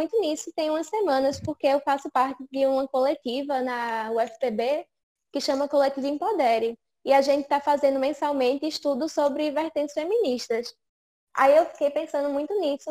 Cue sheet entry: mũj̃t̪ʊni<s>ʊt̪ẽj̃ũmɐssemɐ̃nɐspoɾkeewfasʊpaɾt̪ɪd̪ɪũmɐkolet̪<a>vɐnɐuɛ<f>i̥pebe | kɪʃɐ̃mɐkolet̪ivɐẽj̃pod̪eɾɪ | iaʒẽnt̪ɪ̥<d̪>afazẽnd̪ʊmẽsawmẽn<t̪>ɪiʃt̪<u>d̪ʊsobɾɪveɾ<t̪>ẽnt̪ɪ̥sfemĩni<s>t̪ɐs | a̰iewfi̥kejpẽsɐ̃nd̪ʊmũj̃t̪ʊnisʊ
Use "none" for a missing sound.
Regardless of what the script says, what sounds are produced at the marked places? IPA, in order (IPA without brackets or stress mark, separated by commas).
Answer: s, i, f, t̪, t̪, u, t̪, ʃ